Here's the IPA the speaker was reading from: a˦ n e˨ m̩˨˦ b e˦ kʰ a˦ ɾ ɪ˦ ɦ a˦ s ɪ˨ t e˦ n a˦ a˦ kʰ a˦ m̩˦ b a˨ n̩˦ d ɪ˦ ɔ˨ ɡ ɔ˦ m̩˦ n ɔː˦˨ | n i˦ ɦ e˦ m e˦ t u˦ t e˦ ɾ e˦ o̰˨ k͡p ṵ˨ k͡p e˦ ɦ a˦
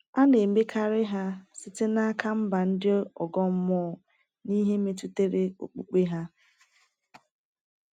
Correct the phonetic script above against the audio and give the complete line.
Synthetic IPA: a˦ n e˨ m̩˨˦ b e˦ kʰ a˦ ɾ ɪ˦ ɦ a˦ s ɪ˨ t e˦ n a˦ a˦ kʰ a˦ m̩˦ b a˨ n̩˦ d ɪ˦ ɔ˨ ɡ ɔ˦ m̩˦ m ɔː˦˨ | n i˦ ɦ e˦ m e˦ t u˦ t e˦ ɾ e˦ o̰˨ k͡p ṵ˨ k͡p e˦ ɦ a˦

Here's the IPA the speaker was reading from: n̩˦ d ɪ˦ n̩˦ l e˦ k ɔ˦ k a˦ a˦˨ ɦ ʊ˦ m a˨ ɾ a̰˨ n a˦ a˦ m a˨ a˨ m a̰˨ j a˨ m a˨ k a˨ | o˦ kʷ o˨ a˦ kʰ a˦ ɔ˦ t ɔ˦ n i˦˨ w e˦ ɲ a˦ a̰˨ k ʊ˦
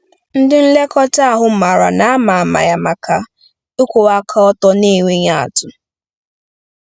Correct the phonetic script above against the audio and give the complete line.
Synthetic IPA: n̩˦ d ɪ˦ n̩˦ l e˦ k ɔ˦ t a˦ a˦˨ ɦ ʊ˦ m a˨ ɾ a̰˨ n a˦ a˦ m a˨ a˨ m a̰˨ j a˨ m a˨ k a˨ | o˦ kʷ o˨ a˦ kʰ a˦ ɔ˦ t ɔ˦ n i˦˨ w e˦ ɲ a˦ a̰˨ t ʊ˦

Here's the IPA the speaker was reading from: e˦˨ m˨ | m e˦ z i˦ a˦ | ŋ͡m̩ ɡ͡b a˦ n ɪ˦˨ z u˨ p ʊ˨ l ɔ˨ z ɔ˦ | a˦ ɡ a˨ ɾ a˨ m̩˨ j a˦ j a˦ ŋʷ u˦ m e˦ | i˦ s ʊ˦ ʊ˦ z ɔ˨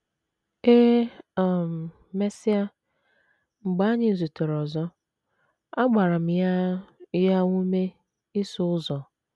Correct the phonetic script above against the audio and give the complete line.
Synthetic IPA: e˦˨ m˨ | m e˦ s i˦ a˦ | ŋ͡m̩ ɡ͡b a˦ ɲ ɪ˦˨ z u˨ t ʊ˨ ɾ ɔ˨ z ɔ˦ | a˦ ɡ͡b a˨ ɾ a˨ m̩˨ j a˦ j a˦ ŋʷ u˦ m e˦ | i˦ s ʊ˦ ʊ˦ z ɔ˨

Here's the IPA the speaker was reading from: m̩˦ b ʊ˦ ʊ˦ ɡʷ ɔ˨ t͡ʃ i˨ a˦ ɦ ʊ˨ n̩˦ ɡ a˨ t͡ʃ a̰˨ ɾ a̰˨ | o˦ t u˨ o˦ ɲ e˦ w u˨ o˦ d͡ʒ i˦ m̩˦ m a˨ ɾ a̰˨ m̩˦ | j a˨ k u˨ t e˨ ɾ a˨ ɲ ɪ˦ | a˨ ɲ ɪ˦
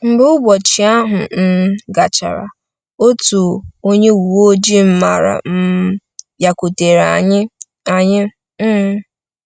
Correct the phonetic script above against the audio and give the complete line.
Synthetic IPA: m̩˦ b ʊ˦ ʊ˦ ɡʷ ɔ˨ t͡ʃ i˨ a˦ ɦ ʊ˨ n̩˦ ɡ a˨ t͡ʃ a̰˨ ɾ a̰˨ | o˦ t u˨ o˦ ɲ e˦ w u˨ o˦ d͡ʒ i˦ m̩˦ m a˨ ɾ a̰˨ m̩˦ | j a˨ k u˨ t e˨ ɾ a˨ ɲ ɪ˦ | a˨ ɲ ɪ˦

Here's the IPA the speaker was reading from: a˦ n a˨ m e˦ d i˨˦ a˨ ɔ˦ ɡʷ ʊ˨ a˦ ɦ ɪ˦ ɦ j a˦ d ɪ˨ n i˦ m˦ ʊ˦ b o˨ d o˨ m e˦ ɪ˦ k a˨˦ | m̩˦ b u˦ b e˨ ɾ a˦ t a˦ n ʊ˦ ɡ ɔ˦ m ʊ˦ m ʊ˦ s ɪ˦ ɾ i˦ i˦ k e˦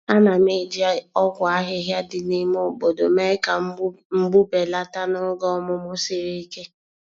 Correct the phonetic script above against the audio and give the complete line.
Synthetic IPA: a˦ n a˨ m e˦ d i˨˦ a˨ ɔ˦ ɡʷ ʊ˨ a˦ ɦ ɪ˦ ɦ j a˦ d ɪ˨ n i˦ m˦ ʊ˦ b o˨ d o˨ m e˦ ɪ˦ k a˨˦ | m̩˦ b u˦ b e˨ l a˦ t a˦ n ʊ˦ ɡ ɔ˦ m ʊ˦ m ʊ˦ s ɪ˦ ɾ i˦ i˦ k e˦

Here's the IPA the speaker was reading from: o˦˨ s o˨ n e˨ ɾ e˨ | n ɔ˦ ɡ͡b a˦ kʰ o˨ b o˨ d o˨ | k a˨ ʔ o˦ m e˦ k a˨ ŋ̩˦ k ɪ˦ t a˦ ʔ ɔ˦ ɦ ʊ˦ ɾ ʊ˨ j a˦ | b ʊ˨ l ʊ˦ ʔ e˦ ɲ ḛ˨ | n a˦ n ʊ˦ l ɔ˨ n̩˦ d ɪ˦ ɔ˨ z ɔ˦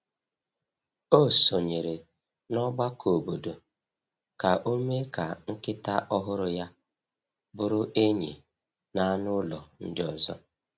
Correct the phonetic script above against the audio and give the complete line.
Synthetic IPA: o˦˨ s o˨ ɲ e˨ ɾ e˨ | n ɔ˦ ɡ͡b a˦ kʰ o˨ b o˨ d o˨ | k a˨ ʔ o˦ m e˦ k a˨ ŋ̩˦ k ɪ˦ t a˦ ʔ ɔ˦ ɦ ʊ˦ ɾ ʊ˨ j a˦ | b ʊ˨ ɾ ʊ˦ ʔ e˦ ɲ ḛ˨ | n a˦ n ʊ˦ l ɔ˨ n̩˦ d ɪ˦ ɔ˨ z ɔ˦

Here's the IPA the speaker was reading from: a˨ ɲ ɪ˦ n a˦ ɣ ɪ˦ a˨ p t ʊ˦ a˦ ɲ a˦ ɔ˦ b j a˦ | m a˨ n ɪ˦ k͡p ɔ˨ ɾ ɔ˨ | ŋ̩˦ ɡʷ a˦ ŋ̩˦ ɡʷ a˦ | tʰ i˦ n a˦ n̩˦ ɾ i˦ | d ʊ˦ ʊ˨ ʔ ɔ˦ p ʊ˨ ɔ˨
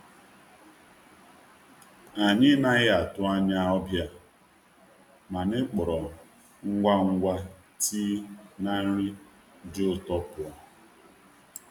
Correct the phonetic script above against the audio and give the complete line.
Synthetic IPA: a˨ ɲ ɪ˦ n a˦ ɣ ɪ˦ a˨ t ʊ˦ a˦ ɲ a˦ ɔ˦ b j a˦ | m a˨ n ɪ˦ k͡p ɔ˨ ɾ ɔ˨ | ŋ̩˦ ɡʷ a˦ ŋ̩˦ ɡʷ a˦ | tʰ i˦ n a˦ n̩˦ ɾ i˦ | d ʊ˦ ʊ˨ t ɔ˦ p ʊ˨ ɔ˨

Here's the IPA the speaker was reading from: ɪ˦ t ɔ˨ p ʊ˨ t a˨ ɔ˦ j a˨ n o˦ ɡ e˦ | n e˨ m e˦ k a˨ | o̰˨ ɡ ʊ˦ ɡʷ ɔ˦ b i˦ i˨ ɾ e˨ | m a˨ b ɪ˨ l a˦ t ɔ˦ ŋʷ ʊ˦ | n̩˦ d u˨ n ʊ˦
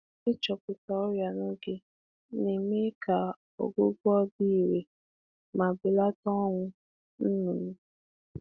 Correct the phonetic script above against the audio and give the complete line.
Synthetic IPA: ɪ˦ t͡ʃ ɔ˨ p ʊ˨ t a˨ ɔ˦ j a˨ n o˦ ɡ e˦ | n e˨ m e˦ k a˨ | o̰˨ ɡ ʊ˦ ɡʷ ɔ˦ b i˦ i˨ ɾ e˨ | m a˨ b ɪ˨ l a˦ t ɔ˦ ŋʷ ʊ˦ | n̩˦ n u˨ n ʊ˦

